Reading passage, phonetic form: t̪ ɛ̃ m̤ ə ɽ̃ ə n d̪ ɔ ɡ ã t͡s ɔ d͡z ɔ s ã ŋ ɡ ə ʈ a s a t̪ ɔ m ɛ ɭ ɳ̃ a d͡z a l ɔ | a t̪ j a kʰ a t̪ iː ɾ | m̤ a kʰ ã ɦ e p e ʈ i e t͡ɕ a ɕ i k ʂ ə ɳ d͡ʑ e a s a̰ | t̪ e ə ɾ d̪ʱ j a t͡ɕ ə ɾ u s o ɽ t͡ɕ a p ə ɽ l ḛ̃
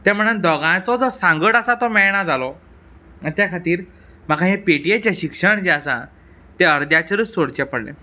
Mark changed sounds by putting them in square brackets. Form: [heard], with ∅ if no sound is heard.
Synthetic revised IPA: t̪ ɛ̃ m̤ ə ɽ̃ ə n d̪ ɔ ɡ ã t͡s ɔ d͡z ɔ s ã ŋ ɡ ə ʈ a s a t̪ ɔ m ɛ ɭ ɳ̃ a d͡z a l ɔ | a t̪ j a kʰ a t̪ iː ɾ | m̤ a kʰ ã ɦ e p e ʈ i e t͡ɕ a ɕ i k ʂ ə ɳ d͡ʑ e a s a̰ | t̪ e ə ɾ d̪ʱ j a t͡ɕ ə ɾ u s o ɽ t͡ɕ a p ə ɽ l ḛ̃